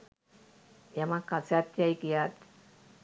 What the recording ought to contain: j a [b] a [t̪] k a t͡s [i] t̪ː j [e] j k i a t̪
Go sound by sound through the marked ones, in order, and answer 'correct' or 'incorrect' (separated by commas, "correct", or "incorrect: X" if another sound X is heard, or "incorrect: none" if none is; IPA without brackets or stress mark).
incorrect: m, incorrect: none, incorrect: a, incorrect: a